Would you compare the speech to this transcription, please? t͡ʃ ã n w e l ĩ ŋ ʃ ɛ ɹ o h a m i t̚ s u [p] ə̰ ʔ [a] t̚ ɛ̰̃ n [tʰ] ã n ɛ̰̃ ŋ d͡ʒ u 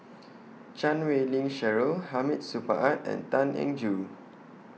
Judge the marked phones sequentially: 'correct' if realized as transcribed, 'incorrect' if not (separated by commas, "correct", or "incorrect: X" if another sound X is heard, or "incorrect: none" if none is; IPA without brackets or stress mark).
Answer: correct, correct, incorrect: t